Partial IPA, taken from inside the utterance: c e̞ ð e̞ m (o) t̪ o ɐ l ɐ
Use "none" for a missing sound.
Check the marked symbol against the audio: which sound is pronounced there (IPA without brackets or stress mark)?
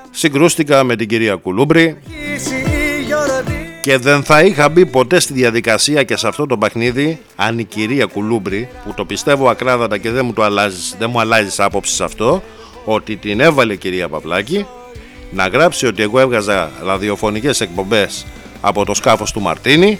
u